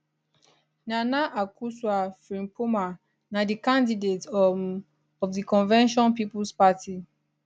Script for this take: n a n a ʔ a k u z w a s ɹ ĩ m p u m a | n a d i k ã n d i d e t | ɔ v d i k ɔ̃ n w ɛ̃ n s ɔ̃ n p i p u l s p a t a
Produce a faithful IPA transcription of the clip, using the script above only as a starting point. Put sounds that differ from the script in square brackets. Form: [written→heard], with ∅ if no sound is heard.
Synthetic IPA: n a n a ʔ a k u [z→s] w a [s→f] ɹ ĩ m p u m a | n a d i k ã n d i d e t | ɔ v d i k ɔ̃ n [w→v] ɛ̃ n [s→ʃ] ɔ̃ n p i p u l s p a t [a→i]

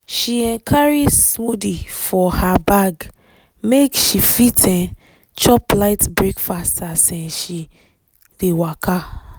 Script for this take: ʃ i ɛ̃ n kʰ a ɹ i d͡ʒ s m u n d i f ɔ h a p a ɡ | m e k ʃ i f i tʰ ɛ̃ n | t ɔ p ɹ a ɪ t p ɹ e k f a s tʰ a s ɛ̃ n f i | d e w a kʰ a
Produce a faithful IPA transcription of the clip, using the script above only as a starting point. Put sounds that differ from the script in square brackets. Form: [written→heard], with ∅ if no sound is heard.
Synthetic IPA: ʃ i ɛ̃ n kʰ a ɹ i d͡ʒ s m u [n→∅] d i f ɔ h a [p→b] a ɡ | m e k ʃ i f i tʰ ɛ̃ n | [t→t͡ʃ] ɔ p [ɹ→l] a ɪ t [p→b] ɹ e k f a s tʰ a s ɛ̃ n [f→ʃ] i | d e w a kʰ a

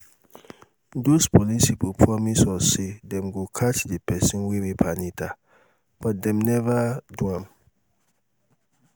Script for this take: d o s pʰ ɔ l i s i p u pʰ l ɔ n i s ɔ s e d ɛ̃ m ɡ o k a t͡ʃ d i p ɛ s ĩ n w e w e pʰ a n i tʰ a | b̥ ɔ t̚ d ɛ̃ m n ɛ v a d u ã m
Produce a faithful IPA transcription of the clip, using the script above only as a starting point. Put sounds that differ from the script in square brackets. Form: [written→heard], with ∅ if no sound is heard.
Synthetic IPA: d o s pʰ ɔ l i s i p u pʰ [l→ɹ] ɔ [n→m] i s ɔ s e d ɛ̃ m ɡ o [k→kʰ] a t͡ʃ d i p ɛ s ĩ n w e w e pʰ a n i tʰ a | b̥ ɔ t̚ d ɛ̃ m n ɛ v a d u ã m

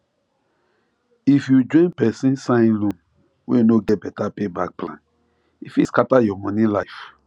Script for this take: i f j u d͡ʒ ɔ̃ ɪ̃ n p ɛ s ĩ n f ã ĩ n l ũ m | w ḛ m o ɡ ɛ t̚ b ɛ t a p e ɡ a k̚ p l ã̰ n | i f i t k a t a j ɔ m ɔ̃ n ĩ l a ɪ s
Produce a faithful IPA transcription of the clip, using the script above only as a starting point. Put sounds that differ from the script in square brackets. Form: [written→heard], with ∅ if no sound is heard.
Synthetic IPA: i f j u d͡ʒ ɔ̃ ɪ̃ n p ɛ s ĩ n [f→s] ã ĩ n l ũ m | w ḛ [m→n] o ɡ ɛ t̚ b ɛ t a p e [ɡ→b] a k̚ p l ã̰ n | i f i [t→s] k a t a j ɔ m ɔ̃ n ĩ l a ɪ [s→f]

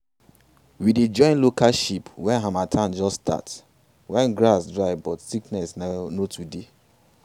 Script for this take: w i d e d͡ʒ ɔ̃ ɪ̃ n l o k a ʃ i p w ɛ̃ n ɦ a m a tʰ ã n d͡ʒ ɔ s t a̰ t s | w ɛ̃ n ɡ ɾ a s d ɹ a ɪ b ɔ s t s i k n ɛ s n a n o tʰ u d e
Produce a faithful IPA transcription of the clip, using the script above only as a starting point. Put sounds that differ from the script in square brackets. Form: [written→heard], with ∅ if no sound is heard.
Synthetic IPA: w i d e d͡ʒ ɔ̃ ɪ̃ n l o k a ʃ i p w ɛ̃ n ɦ a m a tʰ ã n d͡ʒ ɔ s t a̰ t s | w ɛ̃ n ɡ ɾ a s d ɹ a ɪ b ɔ [s→∅] t s i k n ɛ s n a n o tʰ u d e

